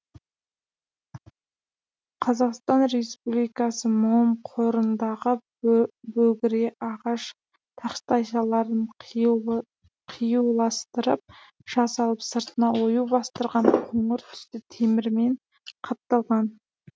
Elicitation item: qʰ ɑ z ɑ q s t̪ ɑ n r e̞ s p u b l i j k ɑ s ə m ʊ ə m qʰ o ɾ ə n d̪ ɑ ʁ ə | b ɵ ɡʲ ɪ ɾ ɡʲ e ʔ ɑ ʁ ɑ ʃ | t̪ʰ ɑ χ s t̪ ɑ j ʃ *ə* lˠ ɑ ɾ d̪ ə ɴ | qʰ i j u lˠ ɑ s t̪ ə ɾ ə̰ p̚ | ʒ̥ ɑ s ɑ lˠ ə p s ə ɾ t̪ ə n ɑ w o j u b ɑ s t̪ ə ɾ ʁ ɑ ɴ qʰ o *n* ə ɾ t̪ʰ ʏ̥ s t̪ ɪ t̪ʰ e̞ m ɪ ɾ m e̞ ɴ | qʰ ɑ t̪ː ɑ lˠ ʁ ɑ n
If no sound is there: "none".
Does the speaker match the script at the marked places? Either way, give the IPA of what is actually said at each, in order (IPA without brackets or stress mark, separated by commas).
ɑ, ɴ